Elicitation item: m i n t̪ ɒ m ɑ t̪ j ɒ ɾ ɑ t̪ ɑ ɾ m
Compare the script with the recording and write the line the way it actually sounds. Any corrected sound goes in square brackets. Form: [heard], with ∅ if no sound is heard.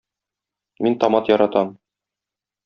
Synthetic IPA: m i n t̪ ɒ m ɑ t̪ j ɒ ɾ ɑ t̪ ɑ [∅] m